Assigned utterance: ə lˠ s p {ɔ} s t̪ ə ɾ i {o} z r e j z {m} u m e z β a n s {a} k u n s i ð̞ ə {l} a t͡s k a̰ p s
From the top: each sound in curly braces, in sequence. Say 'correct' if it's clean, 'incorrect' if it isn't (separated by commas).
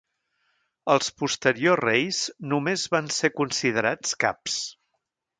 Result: incorrect, correct, incorrect, incorrect, incorrect